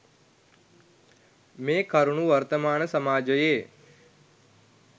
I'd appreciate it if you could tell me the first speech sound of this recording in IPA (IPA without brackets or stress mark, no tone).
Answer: m